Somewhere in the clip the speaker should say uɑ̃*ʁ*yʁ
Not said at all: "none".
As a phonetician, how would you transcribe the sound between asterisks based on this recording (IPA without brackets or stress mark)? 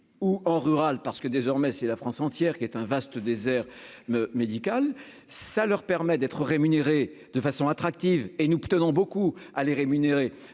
ʁ